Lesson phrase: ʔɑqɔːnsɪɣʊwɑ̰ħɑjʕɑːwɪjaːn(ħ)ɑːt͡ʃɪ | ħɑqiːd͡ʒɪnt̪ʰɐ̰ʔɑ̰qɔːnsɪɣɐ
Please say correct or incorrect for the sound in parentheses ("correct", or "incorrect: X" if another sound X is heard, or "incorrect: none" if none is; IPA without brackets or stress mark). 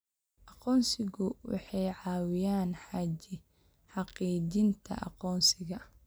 correct